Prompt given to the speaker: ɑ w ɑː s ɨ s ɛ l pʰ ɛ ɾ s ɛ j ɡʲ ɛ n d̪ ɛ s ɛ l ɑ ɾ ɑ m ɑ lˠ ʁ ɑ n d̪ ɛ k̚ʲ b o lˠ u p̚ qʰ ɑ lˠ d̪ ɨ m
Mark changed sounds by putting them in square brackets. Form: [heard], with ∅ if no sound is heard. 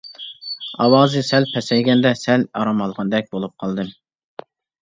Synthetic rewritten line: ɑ w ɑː [z] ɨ s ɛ l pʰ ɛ [∅] s ɛ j ɡʲ ɛ n d̪ ɛ s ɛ l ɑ ɾ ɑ m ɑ lˠ ʁ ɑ n d̪ ɛ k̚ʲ b o lˠ u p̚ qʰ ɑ lˠ d̪ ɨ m